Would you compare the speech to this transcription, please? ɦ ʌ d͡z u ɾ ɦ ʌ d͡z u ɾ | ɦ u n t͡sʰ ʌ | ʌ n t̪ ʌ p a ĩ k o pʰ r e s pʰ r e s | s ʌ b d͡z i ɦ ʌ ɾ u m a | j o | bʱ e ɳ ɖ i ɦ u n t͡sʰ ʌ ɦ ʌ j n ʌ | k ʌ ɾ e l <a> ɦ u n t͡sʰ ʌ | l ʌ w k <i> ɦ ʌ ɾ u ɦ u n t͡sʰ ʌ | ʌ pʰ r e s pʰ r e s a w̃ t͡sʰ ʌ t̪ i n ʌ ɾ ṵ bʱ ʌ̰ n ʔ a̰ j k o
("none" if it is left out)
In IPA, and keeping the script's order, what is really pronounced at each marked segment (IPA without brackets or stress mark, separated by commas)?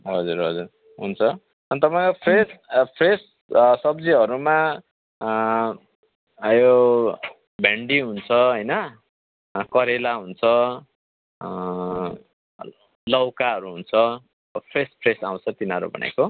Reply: a, a